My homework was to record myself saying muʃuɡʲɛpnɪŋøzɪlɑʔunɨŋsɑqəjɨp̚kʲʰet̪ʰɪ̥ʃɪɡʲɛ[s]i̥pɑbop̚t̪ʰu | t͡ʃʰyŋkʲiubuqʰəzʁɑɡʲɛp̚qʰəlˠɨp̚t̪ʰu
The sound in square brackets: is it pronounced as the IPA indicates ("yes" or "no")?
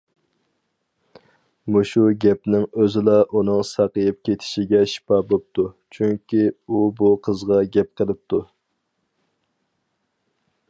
no